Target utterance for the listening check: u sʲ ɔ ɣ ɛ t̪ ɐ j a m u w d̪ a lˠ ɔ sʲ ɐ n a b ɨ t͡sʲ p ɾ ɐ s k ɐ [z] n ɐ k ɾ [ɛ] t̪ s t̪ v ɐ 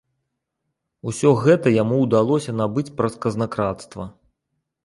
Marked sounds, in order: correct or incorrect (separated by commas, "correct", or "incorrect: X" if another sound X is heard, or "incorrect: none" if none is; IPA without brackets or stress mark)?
correct, incorrect: a